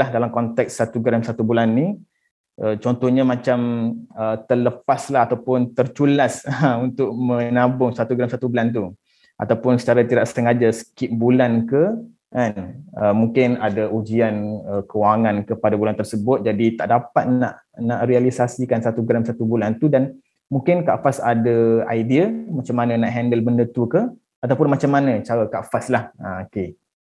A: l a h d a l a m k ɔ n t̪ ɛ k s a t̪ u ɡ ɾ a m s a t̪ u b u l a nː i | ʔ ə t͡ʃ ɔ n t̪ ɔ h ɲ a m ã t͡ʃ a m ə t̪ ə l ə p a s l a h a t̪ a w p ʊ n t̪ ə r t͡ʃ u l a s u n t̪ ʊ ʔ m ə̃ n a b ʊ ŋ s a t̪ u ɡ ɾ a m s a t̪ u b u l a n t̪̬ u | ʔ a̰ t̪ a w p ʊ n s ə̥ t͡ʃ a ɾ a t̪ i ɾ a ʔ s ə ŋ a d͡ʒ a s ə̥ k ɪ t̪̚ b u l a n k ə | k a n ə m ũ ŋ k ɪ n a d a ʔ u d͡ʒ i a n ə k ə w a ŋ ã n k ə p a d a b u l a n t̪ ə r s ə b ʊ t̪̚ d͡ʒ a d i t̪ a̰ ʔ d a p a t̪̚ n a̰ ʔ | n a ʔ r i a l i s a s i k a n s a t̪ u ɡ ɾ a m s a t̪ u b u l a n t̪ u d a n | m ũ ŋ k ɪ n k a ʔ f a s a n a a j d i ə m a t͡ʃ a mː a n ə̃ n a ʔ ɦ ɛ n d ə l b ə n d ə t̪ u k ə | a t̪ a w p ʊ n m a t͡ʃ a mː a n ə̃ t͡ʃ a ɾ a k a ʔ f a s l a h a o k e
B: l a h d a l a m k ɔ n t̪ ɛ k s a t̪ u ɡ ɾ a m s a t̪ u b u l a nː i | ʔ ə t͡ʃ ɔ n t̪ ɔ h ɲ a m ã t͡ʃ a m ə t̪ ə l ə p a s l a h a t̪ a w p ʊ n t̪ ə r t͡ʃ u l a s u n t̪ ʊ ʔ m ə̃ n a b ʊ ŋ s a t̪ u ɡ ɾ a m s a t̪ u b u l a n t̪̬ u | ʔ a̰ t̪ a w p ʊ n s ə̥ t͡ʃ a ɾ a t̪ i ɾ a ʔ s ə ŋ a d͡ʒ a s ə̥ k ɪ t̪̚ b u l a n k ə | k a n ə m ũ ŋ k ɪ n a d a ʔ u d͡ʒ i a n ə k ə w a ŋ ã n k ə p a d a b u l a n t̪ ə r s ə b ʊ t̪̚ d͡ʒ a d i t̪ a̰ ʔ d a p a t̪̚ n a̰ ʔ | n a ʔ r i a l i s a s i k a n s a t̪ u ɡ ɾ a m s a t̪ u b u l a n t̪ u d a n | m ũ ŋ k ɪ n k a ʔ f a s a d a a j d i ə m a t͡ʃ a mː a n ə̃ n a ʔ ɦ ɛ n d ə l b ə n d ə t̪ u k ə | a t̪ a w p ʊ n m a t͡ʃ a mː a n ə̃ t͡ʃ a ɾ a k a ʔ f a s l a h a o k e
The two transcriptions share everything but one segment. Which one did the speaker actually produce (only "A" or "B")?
B